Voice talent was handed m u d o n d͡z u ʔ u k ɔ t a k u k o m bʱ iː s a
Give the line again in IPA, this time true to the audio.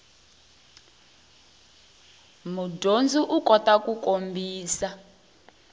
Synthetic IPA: m u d o n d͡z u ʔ u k ɔ t a k u k o m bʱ iː s a